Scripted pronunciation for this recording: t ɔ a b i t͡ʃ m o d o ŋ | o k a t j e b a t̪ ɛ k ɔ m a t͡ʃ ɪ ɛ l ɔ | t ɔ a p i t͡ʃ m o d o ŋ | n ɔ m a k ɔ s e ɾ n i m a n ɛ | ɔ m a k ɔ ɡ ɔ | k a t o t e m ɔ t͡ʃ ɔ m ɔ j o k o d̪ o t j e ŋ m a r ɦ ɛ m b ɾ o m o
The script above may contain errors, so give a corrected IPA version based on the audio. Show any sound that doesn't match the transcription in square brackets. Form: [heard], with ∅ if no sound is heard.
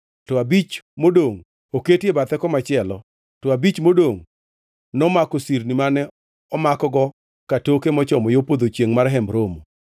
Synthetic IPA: t ɔ a b i t͡ʃ m o d o ŋ | o k [e] t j e b a t̪ ɛ k ɔ m a t͡ʃ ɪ ɛ l ɔ | t ɔ a [b] i t͡ʃ m o d o ŋ | n ɔ m a k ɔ s [i] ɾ n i m a n ɛ | ɔ m a k ɔ ɡ ɔ | k a t o [k] e m ɔ t͡ʃ ɔ m ɔ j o [p] o d̪ o [t͡ʃ] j e ŋ m a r ɦ ɛ m b ɾ o m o